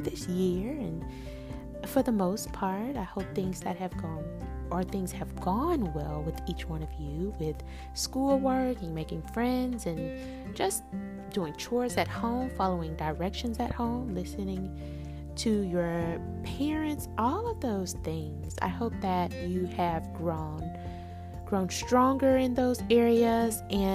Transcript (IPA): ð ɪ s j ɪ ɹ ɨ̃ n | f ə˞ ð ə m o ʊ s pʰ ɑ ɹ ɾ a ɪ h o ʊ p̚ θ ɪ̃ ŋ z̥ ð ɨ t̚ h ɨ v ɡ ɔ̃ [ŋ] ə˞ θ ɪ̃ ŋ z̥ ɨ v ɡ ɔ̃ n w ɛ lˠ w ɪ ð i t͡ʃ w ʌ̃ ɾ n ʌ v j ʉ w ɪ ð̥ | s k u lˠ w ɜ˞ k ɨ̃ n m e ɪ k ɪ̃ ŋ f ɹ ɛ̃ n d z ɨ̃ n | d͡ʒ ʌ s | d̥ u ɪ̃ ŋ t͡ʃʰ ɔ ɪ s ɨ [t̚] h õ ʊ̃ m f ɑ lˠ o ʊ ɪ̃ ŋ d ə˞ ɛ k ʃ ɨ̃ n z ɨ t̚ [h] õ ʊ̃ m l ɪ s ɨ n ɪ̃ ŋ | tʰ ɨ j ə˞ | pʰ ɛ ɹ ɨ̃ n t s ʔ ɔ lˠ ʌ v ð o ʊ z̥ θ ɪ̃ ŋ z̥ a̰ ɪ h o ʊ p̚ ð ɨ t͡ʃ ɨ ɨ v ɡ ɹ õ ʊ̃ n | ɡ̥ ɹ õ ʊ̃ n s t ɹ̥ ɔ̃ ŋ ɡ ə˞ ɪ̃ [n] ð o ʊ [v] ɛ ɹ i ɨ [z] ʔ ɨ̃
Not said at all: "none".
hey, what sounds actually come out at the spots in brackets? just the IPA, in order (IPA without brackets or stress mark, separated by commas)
n, t̚, h, n, z, z